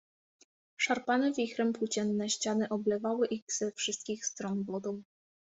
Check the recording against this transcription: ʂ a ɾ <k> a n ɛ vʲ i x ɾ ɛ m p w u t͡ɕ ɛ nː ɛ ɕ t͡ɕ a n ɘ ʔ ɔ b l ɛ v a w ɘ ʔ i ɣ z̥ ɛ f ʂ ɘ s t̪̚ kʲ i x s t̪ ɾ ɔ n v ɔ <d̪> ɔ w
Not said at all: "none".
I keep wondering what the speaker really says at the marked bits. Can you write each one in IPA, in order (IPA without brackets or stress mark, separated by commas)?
p, d̪